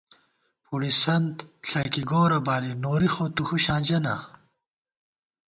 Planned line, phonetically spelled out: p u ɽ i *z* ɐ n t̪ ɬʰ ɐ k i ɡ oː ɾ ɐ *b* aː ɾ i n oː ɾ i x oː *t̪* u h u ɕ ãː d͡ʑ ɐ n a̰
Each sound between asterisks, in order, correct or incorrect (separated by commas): incorrect, correct, correct